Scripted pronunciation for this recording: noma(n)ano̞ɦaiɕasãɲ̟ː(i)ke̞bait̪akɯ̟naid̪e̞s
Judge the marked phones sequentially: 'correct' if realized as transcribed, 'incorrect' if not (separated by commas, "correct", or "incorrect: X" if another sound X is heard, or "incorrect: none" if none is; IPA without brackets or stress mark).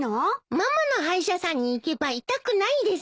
incorrect: m, incorrect: iː